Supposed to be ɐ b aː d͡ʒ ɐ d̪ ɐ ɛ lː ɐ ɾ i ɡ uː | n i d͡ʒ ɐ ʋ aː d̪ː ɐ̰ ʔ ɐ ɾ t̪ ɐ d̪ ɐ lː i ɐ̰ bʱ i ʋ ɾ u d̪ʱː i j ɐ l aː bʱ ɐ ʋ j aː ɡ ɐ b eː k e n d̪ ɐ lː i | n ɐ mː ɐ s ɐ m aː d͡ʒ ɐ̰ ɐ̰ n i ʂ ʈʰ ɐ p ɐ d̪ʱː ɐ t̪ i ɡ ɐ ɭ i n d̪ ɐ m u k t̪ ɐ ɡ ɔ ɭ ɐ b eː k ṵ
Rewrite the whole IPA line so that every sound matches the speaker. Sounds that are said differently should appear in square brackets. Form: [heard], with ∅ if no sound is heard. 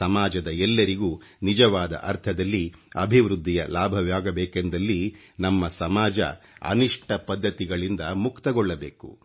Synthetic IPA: ɐ [m] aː d͡ʒ ɐ d̪ ɐ ɛ lː ɐ ɾ i ɡ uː | n i d͡ʒ ɐ ʋ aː [d̪] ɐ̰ ʔ ɐ ɾ [t̪ʰ] ɐ d̪ ɐ lː i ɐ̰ bʱ i ʋ ɾ u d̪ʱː i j ɐ l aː bʱ ɐ ʋ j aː ɡ ɐ b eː k e n d̪ ɐ lː i | n ɐ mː ɐ s ɐ m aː d͡ʒ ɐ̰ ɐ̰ n i ʂ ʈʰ ɐ p ɐ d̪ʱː ɐ t̪ i ɡ ɐ ɭ i n d̪ ɐ m u k t̪ ɐ ɡ ɔ [ɭː] ɐ b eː k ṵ

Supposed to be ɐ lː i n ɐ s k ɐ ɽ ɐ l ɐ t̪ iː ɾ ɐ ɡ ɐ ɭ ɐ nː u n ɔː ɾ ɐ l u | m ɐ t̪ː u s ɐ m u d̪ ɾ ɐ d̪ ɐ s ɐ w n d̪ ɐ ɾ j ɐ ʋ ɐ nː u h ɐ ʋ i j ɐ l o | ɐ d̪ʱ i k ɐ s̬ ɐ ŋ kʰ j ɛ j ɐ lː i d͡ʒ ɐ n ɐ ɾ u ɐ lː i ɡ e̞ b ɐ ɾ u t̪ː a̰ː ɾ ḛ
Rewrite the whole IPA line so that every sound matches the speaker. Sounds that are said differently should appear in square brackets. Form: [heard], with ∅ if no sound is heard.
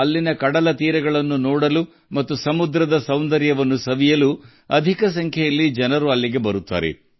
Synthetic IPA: ɐ lː i n ɐ [∅] k ɐ ɽ ɐ l ɐ t̪ iː ɾ ɐ ɡ ɐ ɭ ɐ nː u n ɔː [ɽ] ɐ l u | m ɐ t̪ː u s ɐ m u d̪ ɾ ɐ d̪ ɐ s ɐ w n d̪ ɐ ɾ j ɐ ʋ ɐ nː u [s] ɐ ʋ i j ɐ l [u] | ɐ d̪ʱ i k ɐ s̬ ɐ ŋ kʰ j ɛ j ɐ lː i d͡ʒ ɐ n ɐ ɾ u ɐ lː i ɡ e̞ b ɐ ɾ u t̪ː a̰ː ɾ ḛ

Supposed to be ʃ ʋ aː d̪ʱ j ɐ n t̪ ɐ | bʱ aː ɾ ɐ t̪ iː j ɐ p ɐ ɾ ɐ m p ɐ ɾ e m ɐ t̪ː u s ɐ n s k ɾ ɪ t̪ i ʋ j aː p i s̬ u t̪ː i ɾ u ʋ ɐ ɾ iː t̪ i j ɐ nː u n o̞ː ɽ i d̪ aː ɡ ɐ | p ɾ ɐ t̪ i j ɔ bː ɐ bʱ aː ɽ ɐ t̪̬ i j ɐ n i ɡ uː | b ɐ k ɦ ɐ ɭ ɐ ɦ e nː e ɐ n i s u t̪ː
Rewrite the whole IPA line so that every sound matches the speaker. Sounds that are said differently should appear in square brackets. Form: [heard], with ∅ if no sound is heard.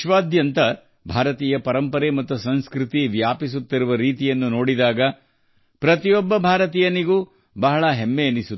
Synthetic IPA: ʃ ʋ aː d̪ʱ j ɐ n t̪ ɐ | bʱ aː ɾ ɐ t̪ iː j ɐ p ɐ ɾ ɐ m p ɐ ɾ e m ɐ t̪ː u s ɐ n s k ɾ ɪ t̪ i ʋ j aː p i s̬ u t̪ː i ɾ u ʋ ɐ ɾ iː t̪ i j ɐ nː u n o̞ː ɽ i d̪ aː ɡ ɐ | p ɾ ɐ t̪ i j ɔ bː ɐ bʱ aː [ɾ] ɐ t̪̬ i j ɐ n i ɡ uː | b ɐ [∅] ɦ ɐ ɭ ɐ ɦ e [mː] e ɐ n i s u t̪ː

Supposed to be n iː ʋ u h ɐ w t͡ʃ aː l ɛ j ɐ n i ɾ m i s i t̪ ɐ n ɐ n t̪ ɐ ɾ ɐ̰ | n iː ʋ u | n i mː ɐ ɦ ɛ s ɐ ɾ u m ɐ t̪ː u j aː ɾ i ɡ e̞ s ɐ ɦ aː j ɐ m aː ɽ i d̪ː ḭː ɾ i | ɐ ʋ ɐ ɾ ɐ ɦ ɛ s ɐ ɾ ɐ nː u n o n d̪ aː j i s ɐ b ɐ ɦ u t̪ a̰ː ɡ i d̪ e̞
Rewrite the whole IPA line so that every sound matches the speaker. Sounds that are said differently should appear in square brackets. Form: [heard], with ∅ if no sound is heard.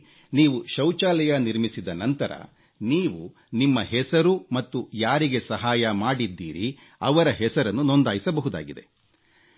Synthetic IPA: n iː ʋ u [ʃ] ɐ w t͡ʃ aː l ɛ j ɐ n i ɾ m i s i [d̪] ɐ n ɐ n t̪ ɐ ɾ ɐ̰ | n iː ʋ u | n i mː ɐ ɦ ɛ s ɐ ɾ u m ɐ t̪ː u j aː ɾ i ɡ e̞ s ɐ ɦ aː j ɐ m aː ɽ i d̪ː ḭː ɾ i | ɐ ʋ ɐ ɾ ɐ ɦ ɛ s ɐ ɾ ɐ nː u n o n d̪ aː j i s ɐ b ɐ ɦ u [d̪] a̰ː ɡ i d̪ e̞

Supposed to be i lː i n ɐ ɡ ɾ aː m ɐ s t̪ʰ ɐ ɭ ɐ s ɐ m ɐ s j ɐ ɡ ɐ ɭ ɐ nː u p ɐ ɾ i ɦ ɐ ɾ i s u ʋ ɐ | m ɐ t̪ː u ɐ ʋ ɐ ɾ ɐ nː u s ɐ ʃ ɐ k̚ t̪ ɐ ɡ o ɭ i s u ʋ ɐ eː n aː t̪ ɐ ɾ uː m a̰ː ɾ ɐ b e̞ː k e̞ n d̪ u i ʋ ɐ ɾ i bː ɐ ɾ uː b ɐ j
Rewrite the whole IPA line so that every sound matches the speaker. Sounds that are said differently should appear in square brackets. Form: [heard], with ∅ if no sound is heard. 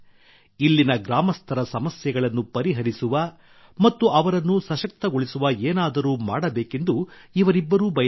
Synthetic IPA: i lː i n ɐ ɡ ɾ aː m ɐ s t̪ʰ ɐ [ɾ] ɐ s ɐ m ɐ s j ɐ ɡ ɐ ɭ ɐ nː u p ɐ ɾ i ɦ ɐ ɾ i s u ʋ ɐ | m ɐ t̪ː u ɐ ʋ ɐ ɾ ɐ nː u s ɐ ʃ ɐ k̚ t̪ ɐ ɡ o ɭ i s u ʋ ɐ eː n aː [d̪] ɐ ɾ uː m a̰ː [ɽ] ɐ b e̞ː k e̞ n d̪ u i ʋ ɐ ɾ i bː ɐ ɾ uː b ɐ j

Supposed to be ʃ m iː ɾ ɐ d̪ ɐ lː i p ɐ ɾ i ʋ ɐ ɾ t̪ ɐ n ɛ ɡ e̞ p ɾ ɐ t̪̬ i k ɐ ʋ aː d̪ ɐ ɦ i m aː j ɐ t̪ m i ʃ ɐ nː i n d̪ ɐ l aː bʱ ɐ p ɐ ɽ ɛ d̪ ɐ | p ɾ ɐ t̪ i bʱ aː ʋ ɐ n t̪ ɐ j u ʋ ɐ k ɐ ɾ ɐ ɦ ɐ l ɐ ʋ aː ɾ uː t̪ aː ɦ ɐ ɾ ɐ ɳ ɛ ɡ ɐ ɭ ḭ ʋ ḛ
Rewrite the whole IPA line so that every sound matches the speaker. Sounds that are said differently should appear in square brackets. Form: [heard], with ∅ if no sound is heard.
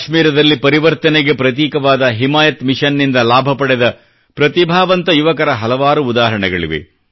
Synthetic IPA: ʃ m iː ɾ ɐ d̪ ɐ lː i p ɐ ɾ i ʋ ɐ ɾ t̪ ɐ n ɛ ɡ e̞ p ɾ ɐ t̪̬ [iː] k ɐ ʋ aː d̪ ɐ ɦ i m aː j ɐ t̪ m i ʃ ɐ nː i n d̪ ɐ l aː bʱ ɐ p ɐ ɽ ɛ d̪ ɐ | p ɾ ɐ t̪ i bʱ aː ʋ ɐ n t̪ ɐ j u ʋ ɐ k ɐ ɾ ɐ ɦ ɐ l ɐ ʋ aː ɾ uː [d̪] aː ɦ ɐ ɾ ɐ ɳ ɛ ɡ ɐ ɭ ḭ ʋ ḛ

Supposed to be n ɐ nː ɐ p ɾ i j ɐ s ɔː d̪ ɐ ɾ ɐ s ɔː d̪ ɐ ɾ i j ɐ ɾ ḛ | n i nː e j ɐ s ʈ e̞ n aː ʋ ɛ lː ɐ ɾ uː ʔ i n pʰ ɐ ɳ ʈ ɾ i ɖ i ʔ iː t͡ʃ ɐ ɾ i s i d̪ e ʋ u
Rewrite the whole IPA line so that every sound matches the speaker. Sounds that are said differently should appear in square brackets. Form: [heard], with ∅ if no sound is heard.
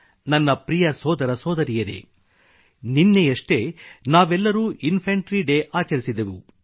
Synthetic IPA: n ɐ nː ɐ p ɾ i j ɐ s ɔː d̪ ɐ ɾ ɐ s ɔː d̪ ɐ ɾ i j ɐ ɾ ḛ | n i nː e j ɐ [ʂ] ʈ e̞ n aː ʋ ɛ lː ɐ ɾ uː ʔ i n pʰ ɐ ɳ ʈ ɾ i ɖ [e] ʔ [aː] t͡ʃ ɐ ɾ i s i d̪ e ʋ u

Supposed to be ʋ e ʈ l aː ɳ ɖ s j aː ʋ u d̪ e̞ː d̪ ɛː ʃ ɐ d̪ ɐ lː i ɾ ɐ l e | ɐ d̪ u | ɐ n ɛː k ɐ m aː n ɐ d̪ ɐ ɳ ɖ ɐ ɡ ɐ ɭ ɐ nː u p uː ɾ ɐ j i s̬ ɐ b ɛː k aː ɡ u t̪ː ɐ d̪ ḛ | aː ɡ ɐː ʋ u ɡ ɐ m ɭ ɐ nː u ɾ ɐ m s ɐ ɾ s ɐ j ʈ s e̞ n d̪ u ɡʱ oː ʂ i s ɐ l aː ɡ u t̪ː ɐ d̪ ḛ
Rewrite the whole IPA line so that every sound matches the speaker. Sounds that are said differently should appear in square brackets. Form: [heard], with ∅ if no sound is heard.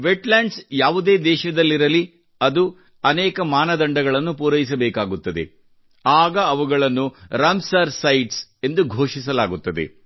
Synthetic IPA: ʋ e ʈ l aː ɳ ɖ s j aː ʋ u d̪ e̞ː d̪ ɛː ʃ ɐ d̪ ɐ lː i ɾ ɐ l [i] | ɐ d̪ u | ɐ n ɛː k ɐ m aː n ɐ d̪ ɐ ɳ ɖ ɐ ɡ ɐ ɭ ɐ nː u p uː ɾ ɐ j i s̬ ɐ b ɛː k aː ɡ u t̪ː ɐ d̪ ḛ | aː ɡ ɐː ʋ u ɡ ɐ [∅] ɭ ɐ nː u ɾ ɐ m s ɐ ɾ s ɐ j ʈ s e̞ n d̪ u ɡʱ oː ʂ i s ɐ l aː ɡ u t̪ː ɐ d̪ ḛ

